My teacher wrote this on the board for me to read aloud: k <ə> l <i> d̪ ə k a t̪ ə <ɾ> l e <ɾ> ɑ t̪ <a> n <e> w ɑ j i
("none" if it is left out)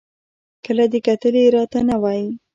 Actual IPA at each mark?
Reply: ə, a, none, ɾ, a, a

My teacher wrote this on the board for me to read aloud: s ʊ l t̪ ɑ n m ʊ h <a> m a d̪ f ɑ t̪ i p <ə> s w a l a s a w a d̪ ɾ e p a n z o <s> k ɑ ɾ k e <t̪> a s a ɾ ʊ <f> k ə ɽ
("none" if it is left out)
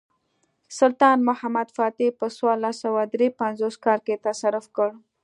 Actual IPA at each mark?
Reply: a, ə, s, t̪, f

